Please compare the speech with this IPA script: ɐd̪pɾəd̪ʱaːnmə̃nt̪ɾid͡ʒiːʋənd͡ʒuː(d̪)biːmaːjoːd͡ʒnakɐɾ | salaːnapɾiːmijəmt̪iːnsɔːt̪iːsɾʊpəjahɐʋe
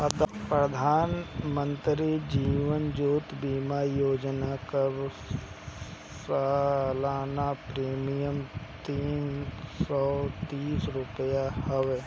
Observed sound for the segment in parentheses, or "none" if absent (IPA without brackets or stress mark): t̪